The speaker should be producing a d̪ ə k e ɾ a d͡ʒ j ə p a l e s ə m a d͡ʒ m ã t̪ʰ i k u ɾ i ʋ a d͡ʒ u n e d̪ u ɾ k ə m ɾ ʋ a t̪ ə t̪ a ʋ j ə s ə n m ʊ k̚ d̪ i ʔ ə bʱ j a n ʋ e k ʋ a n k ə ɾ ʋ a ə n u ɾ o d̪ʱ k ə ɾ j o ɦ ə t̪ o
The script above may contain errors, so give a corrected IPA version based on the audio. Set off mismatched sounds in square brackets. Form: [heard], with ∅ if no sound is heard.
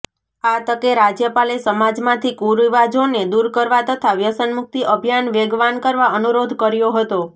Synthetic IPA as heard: a [t̪] ə k e ɾ a d͡ʒ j ə p a l e s ə m a d͡ʒ m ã t̪ʰ i k u ɾ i ʋ a d͡ʒ [o] n e d̪ u ɾ k ə [∅] ɾ ʋ a t̪ ə [t̪ʰ] a ʋ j ə s ə n m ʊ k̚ [t̪] i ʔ ə bʱ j a n ʋ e [ɡ] ʋ a n k ə ɾ ʋ a ə n u ɾ o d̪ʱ k ə ɾ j o ɦ ə t̪ o

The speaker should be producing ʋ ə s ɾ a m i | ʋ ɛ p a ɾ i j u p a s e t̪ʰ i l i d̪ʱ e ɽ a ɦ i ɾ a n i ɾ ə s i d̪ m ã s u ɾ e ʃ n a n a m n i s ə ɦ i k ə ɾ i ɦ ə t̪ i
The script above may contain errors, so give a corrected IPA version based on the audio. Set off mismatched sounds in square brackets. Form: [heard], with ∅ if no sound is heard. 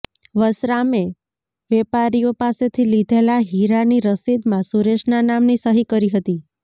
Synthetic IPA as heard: ʋ ə s ɾ a m [e] | ʋ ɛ p a ɾ i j [o] p a s e t̪ʰ i l i d̪ʱ e [l] a ɦ i ɾ a n i ɾ ə s i d̪ m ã s u ɾ e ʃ n a n a m n i s ə ɦ i k ə ɾ i ɦ ə t̪ i

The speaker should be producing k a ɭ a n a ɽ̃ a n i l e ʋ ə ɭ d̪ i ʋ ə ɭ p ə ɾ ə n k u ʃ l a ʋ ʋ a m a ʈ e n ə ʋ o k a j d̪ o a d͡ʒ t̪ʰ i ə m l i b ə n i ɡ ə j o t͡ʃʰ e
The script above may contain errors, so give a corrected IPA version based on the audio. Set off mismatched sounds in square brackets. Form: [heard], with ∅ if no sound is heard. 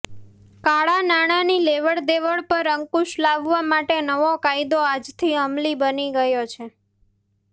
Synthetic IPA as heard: k a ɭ a n a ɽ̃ a n i l e ʋ ə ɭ d̪ [e] ʋ ə ɭ p ə ɾ ə [ŋ] k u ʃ l a ʋ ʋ a m a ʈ e n ə ʋ o k a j d̪ o a d͡ʒ t̪ʰ i ə m l i b ə n i ɡ ə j o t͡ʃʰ e

